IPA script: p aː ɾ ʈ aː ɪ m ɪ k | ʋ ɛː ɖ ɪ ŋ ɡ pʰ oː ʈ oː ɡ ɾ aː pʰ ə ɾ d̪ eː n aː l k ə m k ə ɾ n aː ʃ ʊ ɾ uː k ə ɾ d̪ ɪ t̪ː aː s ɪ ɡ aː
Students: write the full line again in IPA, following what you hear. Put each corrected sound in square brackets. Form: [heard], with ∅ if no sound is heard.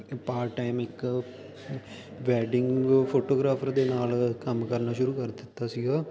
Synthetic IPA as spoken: p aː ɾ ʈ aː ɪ m ɪ k | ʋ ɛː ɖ ɪ ŋ ɡ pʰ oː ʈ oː ɡ ɾ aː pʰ ə ɾ d̪ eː n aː l k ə m k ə ɾ n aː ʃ ʊ ɾ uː k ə ɾ d̪ ɪ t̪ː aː s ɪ ɡ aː